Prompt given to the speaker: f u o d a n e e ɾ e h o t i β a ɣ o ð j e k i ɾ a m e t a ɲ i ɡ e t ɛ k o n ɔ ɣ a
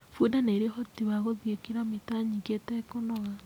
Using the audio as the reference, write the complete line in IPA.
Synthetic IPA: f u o d a n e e ɾ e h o t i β a ɣ o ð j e k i ɾ a m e t a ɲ i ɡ e t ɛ k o n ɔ ɣ a